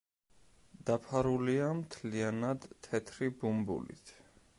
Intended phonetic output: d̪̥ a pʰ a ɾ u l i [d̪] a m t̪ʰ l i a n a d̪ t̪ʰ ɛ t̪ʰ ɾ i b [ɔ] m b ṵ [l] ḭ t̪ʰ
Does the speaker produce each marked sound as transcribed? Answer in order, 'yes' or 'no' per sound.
no, no, yes

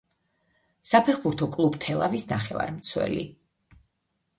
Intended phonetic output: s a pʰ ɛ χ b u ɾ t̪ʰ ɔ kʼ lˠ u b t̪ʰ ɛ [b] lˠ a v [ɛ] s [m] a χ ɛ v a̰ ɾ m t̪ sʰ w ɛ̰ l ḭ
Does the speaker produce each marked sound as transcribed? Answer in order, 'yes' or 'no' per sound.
no, no, no

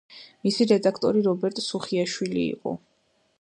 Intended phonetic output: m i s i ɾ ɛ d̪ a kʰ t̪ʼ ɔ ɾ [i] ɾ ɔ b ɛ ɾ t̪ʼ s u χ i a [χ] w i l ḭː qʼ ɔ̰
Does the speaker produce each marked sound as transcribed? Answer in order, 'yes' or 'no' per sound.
yes, no

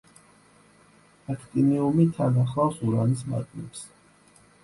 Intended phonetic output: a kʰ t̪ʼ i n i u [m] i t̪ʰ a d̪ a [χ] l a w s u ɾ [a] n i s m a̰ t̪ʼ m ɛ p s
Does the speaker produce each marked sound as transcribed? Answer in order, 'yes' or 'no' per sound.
yes, yes, yes

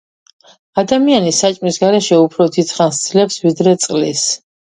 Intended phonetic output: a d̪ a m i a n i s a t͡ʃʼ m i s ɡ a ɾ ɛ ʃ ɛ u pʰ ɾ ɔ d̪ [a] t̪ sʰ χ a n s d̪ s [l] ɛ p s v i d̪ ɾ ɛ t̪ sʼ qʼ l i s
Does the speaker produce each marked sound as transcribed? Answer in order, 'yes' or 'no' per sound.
no, yes

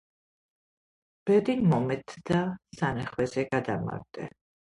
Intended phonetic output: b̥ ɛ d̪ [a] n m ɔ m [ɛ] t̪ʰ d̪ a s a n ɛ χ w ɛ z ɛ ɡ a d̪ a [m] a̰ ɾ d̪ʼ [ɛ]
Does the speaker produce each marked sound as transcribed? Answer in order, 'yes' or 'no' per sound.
no, yes, yes, yes

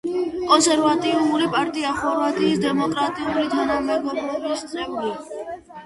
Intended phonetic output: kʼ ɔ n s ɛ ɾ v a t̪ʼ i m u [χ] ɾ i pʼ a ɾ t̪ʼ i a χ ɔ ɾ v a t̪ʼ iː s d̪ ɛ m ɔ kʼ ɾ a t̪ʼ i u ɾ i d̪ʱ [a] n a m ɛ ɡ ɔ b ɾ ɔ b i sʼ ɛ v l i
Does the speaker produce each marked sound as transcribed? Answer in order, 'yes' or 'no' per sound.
no, yes

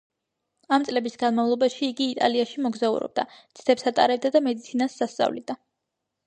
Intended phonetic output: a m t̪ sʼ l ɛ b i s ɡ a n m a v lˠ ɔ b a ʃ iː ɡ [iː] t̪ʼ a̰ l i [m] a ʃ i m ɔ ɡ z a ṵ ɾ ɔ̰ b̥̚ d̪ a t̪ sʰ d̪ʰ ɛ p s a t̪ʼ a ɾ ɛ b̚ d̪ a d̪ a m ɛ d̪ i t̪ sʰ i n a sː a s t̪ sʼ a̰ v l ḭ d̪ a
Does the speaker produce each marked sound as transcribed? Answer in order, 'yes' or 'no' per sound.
yes, no

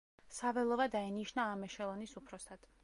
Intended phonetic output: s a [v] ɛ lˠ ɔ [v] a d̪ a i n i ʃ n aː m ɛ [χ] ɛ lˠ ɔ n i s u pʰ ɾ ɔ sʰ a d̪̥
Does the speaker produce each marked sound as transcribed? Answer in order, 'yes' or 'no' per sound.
yes, yes, no

